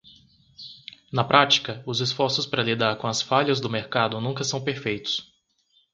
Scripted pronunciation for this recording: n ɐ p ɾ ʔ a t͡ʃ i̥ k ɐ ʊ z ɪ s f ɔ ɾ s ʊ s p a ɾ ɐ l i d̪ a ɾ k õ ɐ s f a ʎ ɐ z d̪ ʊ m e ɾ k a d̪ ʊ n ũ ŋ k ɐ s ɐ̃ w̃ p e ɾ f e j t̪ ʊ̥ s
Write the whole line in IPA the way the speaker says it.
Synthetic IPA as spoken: n ɐ p ɾ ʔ a t͡ʃ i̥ k ɐ ʊ z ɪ s f ɔ ɾ s ʊ s p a ɾ ɐ l i d̪ a ɾ k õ ɐ s f a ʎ ɐ z d̪ ʊ m e ɾ k a d̪ ʊ n ũ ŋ k ɐ s ɐ̃ w̃ p e ɾ f e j t̪ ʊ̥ s